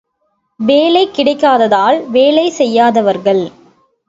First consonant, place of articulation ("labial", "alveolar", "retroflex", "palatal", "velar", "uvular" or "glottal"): labial